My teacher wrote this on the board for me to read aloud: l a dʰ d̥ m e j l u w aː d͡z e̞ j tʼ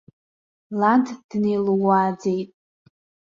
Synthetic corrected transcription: l a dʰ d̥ n e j l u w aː d͡z e̞ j tʼ